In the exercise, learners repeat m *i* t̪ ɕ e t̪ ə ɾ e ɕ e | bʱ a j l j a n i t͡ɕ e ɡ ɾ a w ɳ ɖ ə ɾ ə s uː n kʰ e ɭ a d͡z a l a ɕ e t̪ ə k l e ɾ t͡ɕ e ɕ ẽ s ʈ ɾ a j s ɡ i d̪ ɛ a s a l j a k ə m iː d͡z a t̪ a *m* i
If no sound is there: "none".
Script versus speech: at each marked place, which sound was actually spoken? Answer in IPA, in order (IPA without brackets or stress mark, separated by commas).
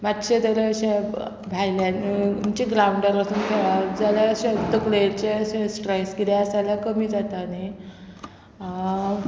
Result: a, n